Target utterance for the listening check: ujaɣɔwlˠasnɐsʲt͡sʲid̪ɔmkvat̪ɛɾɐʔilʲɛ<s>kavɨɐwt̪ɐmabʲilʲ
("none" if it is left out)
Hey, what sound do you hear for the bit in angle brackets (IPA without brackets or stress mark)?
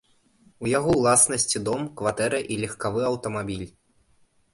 x